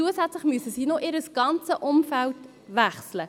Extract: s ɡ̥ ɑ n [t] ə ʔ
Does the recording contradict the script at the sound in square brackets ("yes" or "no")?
yes